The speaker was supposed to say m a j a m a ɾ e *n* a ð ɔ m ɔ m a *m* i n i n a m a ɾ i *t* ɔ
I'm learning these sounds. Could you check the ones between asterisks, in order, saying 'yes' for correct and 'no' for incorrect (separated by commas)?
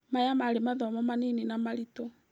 no, no, yes